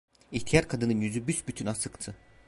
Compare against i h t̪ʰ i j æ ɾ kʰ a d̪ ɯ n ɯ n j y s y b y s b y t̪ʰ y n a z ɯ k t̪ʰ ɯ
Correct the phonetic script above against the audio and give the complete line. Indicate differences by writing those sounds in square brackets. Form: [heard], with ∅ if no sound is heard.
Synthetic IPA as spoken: i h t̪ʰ i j [a] ɾ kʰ a d̪ ɯ n ɯ n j y [z] y b y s b y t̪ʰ y n a [s] ɯ k t̪ʰ ɯ